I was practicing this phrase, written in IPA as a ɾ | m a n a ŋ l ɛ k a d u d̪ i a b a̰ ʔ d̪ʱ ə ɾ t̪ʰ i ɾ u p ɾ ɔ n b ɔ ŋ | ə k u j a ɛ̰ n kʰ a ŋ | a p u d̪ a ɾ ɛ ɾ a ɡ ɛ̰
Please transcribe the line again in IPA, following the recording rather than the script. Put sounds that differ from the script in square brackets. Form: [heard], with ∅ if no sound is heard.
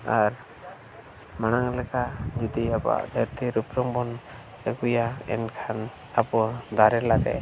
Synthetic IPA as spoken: a ɾ | m a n a ŋ l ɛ k a [d͡ʒ] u d̪ i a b a̰ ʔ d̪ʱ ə ɾ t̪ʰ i ɾ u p ɾ ɔ [ŋ] b ɔ [n] | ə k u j a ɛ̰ n kʰ a [n] | a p [ɔ] d̪ a ɾ ɛ [l] a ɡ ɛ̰